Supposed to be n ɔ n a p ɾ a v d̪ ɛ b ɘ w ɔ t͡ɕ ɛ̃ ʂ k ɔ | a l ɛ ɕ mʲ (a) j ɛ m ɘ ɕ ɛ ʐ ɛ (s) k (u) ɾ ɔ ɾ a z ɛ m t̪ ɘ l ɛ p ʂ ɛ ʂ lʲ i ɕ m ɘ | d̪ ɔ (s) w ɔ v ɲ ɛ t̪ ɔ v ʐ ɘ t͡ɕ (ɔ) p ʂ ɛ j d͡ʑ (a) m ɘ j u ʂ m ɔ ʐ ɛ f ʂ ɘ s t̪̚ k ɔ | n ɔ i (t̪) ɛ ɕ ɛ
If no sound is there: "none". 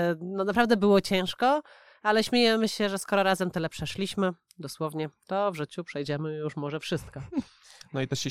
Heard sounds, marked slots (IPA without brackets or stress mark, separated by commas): e, s, ɔ, s, u, ɛ, t̪